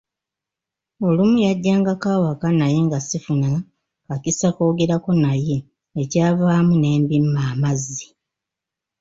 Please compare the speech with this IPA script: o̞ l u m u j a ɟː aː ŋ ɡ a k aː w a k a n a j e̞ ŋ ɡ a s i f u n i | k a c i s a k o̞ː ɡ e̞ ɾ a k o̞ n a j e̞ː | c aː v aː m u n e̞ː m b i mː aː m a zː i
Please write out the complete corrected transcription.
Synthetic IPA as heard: o̞ l u m u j a ɟː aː ŋ ɡ a k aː w a k a n a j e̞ ŋ ɡ a s i f u n a | k a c i s a k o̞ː ɡ e̞ ɾ a k o̞ n a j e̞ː | c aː v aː m u n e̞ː m b i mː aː m a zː i